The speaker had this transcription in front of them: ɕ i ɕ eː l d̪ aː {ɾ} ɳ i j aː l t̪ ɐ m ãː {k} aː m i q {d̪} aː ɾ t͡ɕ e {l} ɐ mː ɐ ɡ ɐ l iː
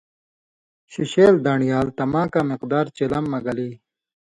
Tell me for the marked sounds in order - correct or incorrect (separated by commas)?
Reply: incorrect, correct, correct, correct